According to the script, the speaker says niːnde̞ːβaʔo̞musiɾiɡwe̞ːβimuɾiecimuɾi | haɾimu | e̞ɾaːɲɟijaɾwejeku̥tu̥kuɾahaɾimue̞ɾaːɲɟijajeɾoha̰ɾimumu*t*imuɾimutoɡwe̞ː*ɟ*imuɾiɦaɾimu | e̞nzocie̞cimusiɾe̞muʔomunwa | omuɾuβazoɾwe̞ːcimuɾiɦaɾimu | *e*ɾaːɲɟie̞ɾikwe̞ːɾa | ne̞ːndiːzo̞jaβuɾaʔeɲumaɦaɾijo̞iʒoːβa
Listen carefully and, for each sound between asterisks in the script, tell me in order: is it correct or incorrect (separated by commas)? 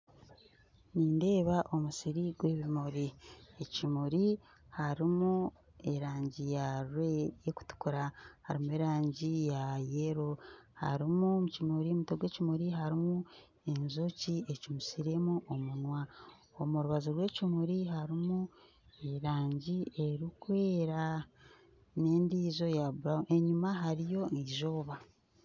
incorrect, incorrect, correct